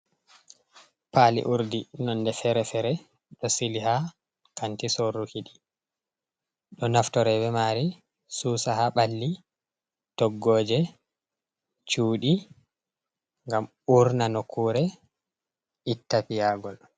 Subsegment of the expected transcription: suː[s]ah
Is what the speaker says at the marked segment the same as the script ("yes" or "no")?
yes